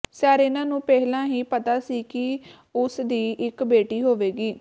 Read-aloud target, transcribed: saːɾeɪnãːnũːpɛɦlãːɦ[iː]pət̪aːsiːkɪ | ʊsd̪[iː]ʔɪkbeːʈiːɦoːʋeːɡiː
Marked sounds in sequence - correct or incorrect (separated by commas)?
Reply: correct, correct